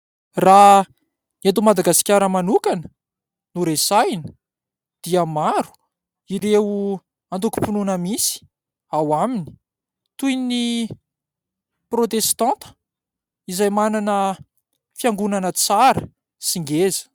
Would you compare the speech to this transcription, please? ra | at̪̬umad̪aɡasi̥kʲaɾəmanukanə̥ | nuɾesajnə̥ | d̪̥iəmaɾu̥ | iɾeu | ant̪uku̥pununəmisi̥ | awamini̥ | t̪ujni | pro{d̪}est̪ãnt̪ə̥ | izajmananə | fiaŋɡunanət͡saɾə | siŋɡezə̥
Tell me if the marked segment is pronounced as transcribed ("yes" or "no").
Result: no